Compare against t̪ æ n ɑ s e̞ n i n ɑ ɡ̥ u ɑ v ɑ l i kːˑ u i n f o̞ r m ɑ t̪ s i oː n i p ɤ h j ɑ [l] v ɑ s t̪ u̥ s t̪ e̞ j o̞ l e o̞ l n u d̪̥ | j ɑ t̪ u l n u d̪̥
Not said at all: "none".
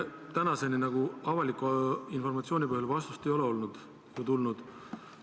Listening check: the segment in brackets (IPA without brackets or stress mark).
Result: l